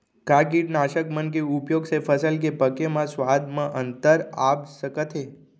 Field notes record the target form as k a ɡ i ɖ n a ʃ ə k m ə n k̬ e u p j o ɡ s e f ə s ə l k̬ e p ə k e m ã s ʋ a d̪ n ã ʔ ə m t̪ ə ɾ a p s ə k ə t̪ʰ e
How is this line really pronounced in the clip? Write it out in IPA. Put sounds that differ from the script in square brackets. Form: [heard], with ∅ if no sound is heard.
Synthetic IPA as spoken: k a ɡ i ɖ n a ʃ ə k m ə n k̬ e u p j o ɡ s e f ə s ə l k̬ e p ə k e m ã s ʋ a d̪ [m] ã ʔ ə [n] t̪ ə ɾ a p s ə k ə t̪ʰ e